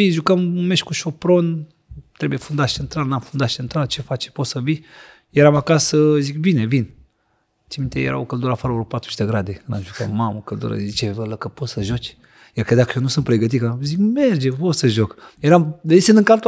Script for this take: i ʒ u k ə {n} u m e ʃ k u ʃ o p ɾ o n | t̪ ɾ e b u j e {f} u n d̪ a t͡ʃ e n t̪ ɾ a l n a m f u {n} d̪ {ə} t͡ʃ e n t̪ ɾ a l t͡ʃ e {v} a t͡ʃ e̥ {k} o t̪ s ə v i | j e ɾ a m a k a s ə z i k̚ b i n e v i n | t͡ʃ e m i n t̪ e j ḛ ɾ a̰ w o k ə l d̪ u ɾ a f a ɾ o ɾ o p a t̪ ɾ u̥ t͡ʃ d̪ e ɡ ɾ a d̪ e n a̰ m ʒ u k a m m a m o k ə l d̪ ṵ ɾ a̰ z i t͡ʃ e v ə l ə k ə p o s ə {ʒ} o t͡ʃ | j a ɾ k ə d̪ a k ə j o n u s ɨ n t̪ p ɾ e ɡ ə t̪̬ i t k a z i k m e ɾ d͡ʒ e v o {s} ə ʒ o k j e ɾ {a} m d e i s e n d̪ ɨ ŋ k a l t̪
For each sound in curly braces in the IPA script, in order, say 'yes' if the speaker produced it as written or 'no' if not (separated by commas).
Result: no, yes, yes, no, no, no, yes, yes, yes